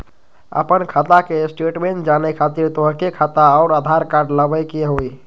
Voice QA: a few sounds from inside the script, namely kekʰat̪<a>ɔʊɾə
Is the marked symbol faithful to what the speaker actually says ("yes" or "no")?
yes